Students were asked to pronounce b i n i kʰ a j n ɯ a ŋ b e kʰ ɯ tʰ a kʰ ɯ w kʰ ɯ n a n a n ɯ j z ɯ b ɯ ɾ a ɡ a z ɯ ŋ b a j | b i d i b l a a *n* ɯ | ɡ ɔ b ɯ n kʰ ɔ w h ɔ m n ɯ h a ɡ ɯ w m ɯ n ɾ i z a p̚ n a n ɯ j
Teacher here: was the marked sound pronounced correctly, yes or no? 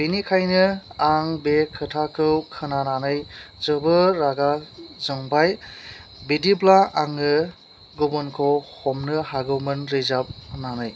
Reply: no